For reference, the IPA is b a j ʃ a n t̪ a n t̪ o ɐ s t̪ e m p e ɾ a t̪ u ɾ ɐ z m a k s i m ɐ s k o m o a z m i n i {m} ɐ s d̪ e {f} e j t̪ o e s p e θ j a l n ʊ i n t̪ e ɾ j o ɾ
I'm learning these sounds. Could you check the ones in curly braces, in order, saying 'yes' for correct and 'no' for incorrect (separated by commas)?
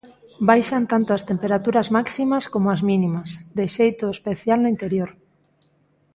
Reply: yes, no